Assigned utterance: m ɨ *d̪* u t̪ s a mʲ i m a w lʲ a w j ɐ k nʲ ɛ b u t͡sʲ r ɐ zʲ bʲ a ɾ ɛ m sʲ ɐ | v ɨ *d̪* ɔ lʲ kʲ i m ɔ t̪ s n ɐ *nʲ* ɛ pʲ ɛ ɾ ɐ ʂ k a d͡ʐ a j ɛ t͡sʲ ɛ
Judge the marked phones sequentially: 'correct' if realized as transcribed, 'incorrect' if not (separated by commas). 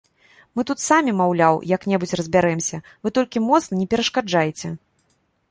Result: incorrect, incorrect, correct